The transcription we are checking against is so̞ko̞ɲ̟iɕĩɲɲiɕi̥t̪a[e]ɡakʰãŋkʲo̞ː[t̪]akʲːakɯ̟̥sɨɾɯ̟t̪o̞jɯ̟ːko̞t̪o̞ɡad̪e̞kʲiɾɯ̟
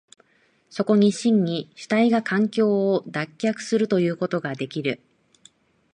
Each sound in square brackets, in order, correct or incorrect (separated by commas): incorrect, incorrect